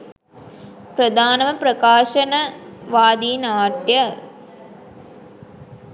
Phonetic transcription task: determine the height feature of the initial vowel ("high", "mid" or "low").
low